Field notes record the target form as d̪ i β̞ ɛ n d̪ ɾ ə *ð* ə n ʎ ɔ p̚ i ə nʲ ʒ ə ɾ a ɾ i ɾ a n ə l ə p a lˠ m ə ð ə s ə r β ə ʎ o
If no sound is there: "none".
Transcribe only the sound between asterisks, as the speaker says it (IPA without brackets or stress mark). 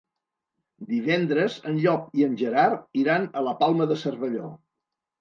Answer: z